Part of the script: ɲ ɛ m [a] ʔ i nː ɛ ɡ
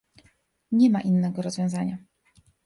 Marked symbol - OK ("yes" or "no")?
yes